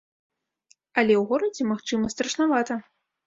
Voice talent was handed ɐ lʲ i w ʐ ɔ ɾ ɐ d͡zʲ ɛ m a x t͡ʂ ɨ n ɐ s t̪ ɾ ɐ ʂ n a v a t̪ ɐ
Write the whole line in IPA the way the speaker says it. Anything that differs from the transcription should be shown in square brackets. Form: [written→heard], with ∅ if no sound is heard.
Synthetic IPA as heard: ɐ lʲ [i→ɛ] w [ʐ→ɣ] ɔ ɾ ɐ d͡zʲ ɛ m a x t͡ʂ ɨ [n→m] ɐ s t̪ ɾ ɐ ʂ n a v a t̪ ɐ